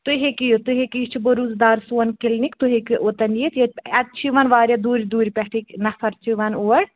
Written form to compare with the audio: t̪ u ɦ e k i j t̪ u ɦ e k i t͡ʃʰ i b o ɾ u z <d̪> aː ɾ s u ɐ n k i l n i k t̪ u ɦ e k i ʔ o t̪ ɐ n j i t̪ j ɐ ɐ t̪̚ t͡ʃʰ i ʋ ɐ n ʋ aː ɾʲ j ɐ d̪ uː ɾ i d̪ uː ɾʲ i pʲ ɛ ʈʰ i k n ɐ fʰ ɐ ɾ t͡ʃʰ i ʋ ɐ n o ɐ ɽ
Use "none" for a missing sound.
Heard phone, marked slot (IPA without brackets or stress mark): d̪